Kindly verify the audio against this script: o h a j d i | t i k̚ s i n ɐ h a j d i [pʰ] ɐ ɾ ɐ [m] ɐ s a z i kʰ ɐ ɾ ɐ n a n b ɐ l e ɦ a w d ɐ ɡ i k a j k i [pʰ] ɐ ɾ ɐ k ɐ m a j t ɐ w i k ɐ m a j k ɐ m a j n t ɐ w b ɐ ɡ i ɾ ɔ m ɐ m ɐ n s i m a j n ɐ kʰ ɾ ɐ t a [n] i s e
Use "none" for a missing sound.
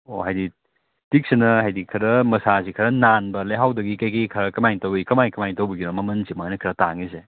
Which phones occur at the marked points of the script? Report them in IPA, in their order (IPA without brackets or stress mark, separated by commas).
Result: kʰ, m, kʰ, ŋ